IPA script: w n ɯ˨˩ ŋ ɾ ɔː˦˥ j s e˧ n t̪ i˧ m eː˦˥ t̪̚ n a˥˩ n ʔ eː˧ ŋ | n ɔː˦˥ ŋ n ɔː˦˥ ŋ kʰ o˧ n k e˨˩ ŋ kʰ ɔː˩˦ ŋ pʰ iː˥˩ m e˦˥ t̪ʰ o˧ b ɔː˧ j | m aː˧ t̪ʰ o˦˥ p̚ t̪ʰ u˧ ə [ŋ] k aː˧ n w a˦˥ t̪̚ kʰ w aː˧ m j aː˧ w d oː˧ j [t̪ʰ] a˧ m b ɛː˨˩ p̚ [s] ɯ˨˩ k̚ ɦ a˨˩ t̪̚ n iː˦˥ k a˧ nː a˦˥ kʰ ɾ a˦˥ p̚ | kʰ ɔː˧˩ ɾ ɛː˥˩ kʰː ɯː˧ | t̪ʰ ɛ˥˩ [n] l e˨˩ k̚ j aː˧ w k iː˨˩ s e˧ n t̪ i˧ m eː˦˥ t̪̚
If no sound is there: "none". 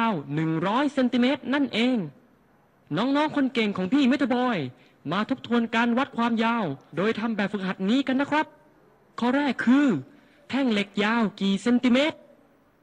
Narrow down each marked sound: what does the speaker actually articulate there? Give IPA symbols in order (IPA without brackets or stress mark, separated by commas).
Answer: n, t̪ʰ, f, ŋ